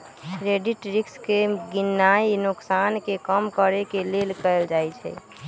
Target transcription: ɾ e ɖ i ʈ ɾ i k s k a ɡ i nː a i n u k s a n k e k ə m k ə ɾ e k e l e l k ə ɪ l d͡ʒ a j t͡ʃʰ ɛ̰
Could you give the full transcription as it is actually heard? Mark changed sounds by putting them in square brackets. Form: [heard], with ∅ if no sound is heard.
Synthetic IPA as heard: ɾ e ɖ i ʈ ɾ i k s k [e] ɡ i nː a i n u k s a n k e k ə m k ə ɾ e k e l e l k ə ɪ l d͡ʒ a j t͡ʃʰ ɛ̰